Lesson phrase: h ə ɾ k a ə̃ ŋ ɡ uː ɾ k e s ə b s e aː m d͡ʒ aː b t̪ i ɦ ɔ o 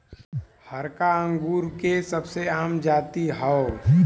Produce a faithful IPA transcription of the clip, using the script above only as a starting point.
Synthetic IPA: h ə ɾ k a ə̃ ŋ ɡ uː ɾ k e s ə b s e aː m d͡ʒ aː t̪ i ɦ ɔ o